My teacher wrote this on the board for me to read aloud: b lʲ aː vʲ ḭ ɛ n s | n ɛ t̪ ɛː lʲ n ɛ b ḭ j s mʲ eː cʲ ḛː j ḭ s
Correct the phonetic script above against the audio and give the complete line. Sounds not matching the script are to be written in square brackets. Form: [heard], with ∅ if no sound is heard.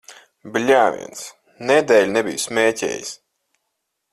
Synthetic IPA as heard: b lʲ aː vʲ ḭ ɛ n s | n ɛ [d̪] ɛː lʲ n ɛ b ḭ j s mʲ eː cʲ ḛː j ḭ s